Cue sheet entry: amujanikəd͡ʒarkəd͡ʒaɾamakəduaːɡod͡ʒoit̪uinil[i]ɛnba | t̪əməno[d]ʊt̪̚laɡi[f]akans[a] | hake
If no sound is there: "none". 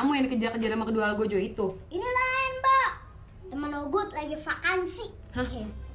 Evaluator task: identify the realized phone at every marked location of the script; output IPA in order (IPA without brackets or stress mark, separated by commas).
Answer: a, ɡ, f, i